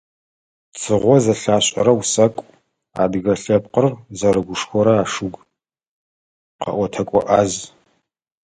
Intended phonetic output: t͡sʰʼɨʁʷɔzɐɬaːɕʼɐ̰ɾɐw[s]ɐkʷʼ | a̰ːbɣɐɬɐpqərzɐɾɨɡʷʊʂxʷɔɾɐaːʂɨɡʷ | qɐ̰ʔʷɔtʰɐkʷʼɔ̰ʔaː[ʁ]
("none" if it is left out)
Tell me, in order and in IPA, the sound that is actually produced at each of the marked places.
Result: s, z

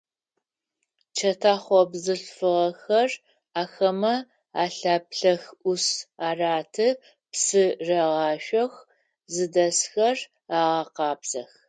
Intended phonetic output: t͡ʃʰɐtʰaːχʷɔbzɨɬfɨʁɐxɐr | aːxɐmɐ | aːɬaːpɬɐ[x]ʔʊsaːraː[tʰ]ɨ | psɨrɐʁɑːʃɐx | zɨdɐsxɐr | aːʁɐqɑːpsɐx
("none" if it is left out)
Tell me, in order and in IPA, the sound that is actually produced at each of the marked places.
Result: x, tʰ

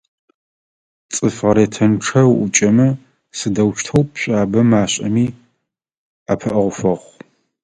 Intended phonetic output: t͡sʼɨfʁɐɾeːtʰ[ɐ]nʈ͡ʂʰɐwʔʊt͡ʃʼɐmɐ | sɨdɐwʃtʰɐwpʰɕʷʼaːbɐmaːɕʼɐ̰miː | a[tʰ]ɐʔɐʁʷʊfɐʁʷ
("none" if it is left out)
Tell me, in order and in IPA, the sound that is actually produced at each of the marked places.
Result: ɐ, pʰ

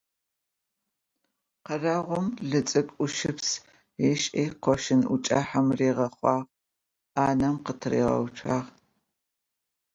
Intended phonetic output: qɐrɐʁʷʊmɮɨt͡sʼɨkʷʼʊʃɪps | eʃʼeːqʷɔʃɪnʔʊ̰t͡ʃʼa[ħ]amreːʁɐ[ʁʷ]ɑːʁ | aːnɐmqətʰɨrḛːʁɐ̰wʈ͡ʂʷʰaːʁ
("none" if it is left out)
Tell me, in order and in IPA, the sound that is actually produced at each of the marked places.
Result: ħ, χʷ

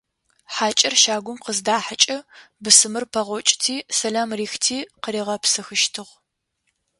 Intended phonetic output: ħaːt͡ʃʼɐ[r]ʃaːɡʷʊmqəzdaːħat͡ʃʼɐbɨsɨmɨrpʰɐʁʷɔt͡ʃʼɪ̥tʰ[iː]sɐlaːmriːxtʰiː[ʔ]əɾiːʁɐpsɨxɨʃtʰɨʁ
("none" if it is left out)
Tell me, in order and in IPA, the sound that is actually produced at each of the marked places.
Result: r, iː, q

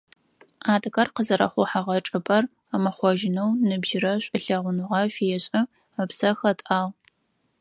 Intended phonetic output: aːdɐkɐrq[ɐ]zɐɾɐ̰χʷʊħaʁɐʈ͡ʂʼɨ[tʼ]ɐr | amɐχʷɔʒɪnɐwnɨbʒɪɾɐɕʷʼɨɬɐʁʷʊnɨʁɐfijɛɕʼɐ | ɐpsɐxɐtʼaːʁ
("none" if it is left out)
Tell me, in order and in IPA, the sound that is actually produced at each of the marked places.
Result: ə, pʼ

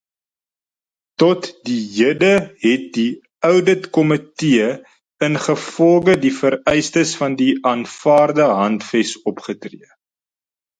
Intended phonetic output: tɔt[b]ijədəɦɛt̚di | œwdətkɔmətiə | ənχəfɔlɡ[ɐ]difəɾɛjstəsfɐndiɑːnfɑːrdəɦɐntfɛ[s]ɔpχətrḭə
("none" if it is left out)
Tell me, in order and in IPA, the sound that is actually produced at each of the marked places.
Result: d, ə, s

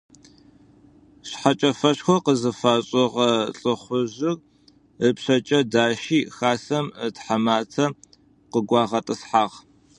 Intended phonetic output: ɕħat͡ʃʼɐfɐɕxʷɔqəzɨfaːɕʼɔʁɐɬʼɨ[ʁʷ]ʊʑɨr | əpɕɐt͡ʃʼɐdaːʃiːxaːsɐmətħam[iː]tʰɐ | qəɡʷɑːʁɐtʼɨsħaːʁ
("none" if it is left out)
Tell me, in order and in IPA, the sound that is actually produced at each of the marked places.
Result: χʷ, aː

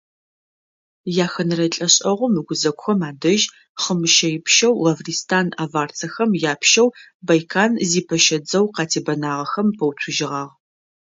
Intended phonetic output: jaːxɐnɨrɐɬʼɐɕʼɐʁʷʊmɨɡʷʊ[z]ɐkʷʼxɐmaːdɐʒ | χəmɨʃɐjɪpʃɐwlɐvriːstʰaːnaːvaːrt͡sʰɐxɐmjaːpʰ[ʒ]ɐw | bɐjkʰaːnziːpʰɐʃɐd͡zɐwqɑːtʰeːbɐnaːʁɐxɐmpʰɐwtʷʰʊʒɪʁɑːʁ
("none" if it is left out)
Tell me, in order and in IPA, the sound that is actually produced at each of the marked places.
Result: z, ʃ

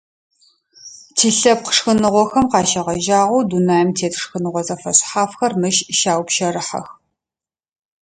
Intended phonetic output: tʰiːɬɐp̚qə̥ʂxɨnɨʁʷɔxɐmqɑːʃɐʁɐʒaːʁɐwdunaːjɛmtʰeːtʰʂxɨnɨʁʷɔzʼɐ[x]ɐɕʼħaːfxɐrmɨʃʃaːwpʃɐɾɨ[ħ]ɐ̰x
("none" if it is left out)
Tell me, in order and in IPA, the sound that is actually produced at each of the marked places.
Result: f, ħ

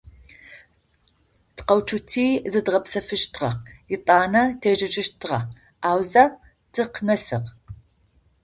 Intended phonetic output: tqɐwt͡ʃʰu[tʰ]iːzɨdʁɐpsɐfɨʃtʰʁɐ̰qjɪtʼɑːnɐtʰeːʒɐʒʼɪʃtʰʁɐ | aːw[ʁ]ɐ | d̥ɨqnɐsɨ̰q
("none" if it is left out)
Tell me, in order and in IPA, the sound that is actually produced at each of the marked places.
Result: tʰ, z

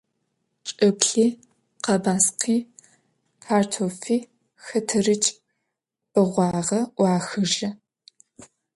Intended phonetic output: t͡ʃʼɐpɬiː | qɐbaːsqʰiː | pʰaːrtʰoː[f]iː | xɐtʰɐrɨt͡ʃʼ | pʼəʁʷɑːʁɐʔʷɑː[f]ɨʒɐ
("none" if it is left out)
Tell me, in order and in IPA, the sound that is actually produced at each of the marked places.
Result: f, x

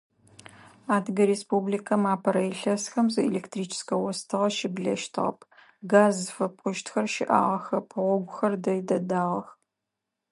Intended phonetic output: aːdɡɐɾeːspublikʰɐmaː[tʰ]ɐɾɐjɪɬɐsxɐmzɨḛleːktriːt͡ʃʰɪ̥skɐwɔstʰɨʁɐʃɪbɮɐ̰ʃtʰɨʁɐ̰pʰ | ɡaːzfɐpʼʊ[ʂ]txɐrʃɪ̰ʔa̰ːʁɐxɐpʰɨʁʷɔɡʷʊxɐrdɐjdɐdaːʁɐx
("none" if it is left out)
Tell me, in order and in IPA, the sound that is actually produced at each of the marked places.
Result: pʰ, ʃ

